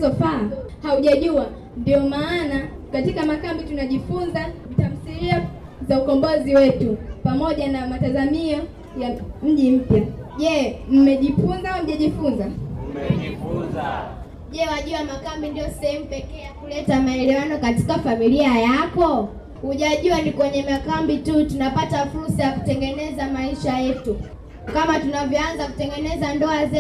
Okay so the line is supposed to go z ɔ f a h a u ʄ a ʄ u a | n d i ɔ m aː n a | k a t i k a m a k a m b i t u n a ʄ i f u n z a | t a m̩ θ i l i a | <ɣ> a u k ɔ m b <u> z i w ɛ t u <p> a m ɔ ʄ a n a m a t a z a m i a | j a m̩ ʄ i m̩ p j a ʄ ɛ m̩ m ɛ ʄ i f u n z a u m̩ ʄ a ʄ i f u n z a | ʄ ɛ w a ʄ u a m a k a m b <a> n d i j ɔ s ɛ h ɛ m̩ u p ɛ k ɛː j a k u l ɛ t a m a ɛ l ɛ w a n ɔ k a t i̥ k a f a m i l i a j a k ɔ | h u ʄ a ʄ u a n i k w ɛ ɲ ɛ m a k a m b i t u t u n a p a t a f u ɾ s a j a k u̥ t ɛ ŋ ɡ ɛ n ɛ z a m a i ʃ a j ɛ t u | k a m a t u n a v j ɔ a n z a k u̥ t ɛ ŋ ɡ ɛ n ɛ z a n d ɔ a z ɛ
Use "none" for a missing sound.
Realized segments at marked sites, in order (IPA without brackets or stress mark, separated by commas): z, ɔ, p, i